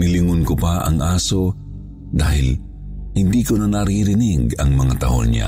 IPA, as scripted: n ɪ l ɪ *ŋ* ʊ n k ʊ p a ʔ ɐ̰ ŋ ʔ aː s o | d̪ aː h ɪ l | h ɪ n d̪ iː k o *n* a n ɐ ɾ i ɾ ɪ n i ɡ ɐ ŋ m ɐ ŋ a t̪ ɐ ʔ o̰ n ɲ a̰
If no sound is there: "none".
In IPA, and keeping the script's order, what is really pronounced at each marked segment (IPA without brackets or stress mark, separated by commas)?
ŋ, n